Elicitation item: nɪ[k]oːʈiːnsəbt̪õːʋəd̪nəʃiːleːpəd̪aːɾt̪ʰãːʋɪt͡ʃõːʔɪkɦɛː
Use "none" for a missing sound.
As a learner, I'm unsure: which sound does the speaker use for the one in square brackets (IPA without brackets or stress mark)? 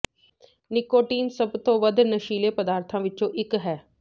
k